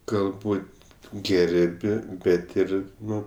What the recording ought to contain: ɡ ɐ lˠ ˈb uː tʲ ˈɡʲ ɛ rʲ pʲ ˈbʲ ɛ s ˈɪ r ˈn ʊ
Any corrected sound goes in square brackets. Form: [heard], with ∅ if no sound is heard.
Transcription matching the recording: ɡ ɐ lˠ ˈb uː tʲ ˈɡʲ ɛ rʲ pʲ ˈbʲ ɛ [t] ˈɪ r ˈn ʊ